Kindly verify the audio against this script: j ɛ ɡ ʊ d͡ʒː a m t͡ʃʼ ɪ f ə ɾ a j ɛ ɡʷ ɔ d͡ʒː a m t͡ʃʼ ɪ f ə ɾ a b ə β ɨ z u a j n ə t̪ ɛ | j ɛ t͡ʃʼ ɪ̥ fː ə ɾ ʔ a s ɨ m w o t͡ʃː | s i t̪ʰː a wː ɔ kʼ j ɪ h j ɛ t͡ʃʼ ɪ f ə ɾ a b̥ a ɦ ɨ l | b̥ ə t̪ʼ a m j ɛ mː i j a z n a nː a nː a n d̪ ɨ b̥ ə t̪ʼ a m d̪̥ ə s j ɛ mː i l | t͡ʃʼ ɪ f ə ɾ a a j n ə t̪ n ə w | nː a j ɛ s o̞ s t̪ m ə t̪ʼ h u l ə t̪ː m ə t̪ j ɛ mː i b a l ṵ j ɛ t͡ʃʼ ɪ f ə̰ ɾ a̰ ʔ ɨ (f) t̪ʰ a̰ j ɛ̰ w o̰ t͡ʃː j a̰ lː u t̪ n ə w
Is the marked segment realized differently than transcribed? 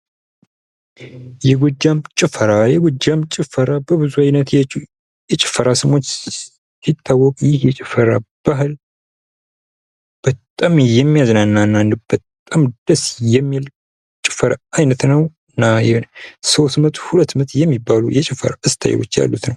yes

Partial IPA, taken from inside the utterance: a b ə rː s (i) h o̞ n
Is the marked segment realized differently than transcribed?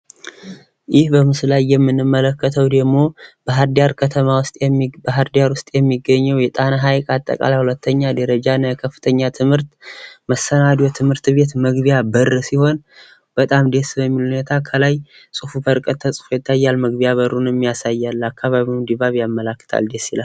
no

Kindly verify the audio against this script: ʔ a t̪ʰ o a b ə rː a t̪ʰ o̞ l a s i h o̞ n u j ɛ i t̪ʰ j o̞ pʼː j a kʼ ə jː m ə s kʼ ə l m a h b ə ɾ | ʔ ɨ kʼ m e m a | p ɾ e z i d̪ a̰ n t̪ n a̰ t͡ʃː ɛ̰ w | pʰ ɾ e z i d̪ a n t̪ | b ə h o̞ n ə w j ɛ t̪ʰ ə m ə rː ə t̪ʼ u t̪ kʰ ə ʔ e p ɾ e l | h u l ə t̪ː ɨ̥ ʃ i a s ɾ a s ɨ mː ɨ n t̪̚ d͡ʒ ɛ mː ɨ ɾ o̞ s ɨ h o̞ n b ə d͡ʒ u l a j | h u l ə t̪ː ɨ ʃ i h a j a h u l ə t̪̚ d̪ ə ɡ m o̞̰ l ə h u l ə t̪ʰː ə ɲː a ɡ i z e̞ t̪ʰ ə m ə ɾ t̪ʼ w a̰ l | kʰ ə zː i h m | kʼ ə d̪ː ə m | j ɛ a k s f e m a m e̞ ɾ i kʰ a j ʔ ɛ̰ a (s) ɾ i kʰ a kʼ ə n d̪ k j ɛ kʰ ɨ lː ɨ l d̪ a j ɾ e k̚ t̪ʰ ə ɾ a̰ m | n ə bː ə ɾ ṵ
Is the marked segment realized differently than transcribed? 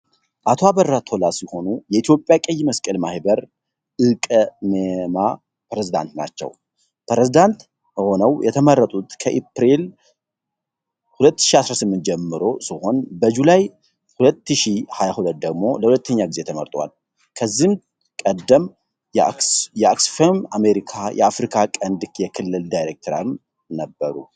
yes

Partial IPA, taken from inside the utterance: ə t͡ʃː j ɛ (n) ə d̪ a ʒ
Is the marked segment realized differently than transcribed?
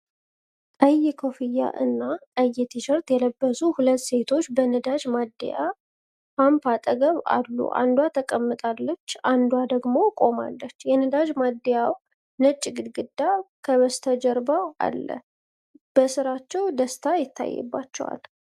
no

